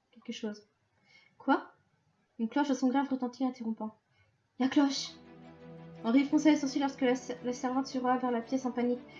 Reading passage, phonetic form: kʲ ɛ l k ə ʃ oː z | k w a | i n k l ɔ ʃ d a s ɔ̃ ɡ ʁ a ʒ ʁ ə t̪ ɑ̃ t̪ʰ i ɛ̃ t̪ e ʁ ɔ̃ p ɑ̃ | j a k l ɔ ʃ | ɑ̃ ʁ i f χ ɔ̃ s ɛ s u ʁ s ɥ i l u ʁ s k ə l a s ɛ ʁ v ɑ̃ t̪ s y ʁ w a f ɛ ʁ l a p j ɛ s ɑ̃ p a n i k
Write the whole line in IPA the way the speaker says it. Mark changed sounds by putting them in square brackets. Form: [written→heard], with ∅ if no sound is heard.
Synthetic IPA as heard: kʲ ɛ l k ə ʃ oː z | k w a | [i→y] n k l ɔ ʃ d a s ɔ̃ ɡ ʁ a [ʒ→v] ʁ ə t̪ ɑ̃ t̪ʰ i ɛ̃ t̪ e ʁ ɔ̃ p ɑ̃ | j a k l ɔ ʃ | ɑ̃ ʁ i f χ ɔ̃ s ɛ s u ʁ s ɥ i l [u→ɔ] ʁ s k ə l a s ɛ ʁ v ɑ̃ t̪ s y ʁ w a [f→v] ɛ ʁ l a p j ɛ s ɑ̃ p a n i k